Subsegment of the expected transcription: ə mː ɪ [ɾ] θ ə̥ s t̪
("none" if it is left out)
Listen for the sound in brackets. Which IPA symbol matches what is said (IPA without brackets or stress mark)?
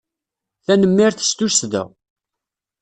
ɾ